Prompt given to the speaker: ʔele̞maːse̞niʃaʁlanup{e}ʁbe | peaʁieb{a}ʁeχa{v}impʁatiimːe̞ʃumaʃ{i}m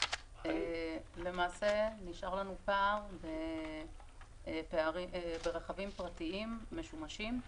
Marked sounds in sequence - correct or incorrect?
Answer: incorrect, incorrect, correct, correct

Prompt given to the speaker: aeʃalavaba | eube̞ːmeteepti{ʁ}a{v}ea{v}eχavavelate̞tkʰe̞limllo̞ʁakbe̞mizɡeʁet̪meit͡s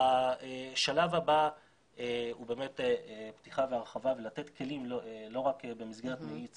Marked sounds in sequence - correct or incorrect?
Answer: incorrect, correct, incorrect

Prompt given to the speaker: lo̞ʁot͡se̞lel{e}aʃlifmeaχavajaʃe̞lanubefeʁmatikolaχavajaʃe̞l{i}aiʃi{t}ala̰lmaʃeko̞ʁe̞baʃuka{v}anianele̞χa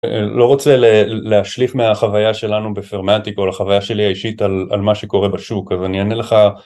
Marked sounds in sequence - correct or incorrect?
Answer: correct, correct, correct, incorrect

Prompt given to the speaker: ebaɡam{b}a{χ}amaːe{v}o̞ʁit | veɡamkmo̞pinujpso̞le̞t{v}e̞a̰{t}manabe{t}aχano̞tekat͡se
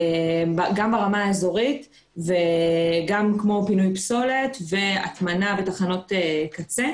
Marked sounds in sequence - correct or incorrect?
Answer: correct, incorrect, incorrect, correct, correct, correct

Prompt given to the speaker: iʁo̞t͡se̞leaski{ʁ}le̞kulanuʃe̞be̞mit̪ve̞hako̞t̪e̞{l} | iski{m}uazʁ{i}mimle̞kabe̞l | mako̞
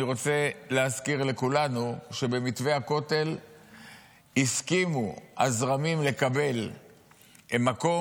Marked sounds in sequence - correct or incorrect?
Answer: correct, correct, correct, incorrect

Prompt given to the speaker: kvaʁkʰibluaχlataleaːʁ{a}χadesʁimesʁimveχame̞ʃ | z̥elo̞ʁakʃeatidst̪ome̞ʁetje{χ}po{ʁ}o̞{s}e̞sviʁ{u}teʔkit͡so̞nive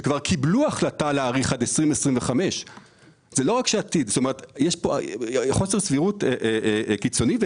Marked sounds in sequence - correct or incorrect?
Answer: incorrect, incorrect, incorrect, correct, correct

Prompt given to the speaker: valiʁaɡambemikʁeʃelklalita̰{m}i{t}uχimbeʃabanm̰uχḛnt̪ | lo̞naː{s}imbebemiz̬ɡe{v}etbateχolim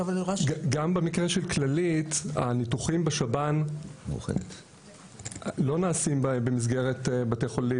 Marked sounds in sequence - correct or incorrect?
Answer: incorrect, correct, correct, incorrect

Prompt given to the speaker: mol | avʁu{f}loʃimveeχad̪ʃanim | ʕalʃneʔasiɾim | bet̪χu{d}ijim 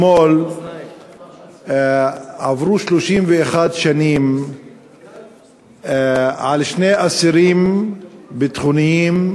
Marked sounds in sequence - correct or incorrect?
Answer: incorrect, incorrect

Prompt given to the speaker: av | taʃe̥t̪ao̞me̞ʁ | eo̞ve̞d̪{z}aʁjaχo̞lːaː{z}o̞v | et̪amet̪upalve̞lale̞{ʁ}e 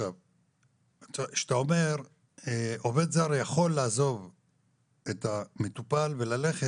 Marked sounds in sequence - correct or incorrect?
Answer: correct, correct, incorrect

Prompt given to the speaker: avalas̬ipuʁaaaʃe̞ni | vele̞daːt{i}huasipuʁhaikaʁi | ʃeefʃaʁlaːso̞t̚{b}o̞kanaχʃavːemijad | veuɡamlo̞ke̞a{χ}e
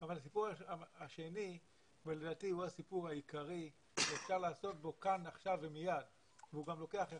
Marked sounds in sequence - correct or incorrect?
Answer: correct, correct, correct

